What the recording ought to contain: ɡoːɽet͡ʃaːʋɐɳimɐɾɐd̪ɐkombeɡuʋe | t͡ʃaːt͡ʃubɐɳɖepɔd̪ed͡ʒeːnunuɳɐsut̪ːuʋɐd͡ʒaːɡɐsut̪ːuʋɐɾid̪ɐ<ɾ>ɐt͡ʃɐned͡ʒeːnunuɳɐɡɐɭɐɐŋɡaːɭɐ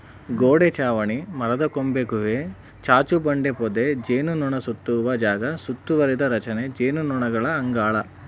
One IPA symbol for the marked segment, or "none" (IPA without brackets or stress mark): ɾ